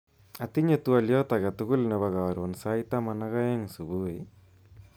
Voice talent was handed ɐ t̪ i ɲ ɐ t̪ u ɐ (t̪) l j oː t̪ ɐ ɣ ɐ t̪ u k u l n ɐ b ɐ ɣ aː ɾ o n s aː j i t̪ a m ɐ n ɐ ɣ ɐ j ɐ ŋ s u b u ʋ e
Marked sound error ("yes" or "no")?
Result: yes